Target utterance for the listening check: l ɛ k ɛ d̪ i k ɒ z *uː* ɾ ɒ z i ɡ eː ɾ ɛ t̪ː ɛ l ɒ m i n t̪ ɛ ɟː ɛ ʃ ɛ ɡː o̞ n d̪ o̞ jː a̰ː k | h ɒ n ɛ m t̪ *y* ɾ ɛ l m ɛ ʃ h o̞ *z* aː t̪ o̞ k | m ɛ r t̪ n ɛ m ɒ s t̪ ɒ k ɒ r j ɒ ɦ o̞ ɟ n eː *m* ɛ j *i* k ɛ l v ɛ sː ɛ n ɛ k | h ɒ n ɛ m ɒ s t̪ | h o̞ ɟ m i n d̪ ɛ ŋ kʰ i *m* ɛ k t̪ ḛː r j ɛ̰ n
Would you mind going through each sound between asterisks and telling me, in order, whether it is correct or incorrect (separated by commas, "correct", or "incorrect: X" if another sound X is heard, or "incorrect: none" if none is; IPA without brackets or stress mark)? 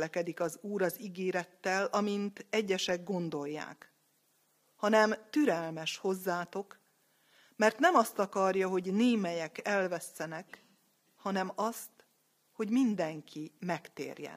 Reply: correct, correct, incorrect: zː, correct, incorrect: ɛ, correct